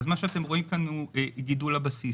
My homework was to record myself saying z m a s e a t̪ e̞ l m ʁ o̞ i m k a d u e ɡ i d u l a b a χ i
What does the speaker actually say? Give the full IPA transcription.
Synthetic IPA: z m a ʃ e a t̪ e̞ m ʁ o̞ i m k a n u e ɡ i d u l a b a s i